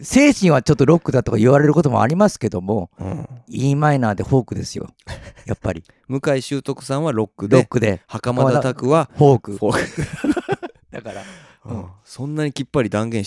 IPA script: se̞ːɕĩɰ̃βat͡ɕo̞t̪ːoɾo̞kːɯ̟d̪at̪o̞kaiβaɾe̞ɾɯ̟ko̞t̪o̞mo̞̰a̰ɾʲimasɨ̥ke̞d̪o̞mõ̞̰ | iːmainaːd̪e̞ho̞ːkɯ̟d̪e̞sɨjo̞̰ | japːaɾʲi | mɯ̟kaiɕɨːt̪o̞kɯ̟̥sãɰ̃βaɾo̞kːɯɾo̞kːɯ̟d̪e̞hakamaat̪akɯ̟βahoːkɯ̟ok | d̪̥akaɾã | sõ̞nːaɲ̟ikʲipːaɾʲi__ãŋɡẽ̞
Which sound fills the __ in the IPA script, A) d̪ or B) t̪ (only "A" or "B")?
A